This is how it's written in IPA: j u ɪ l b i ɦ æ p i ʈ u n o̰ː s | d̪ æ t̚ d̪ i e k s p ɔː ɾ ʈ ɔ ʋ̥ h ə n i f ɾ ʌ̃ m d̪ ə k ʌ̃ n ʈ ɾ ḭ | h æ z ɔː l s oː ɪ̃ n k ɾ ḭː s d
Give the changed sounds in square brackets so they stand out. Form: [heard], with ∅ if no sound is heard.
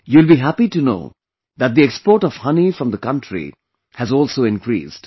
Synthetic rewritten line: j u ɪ l b i ɦ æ p i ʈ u n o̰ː [∅] | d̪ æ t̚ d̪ i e k s p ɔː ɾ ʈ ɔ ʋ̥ h [ʌ] n i f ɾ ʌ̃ m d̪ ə k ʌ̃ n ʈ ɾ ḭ | h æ z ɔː l s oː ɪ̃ n k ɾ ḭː s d